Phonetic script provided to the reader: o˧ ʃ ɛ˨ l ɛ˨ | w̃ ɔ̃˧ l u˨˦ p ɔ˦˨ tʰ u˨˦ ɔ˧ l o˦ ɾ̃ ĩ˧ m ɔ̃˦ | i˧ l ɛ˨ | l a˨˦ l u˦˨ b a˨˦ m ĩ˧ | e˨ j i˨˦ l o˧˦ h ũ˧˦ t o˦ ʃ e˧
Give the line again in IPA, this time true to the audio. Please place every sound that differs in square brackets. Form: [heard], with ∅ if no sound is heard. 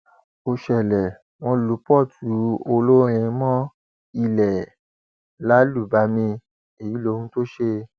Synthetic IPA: o˧ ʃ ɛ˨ l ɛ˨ | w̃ ɔ̃˧ l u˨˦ p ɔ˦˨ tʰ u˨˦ [o˧] l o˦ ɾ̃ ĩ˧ m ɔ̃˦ | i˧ l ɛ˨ | l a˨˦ l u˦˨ b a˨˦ m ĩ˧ | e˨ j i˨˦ l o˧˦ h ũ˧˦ t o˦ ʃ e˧